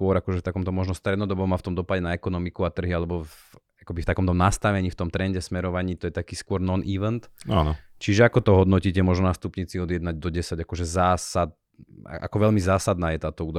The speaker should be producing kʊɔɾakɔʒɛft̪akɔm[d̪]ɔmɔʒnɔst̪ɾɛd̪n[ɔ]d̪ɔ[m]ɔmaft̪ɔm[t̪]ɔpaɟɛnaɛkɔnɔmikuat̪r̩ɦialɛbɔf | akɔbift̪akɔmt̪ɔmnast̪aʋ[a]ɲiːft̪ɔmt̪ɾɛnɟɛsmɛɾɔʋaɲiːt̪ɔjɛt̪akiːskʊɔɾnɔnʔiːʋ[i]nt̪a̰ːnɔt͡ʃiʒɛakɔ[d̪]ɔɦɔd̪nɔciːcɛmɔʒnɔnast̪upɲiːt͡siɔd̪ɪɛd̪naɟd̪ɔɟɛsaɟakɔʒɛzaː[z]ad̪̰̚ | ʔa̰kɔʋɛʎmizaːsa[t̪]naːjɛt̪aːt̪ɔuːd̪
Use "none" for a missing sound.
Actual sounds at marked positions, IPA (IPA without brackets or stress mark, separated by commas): t̪, ɔ, b, d̪, ɛ, ɛ, t̪, s, d̪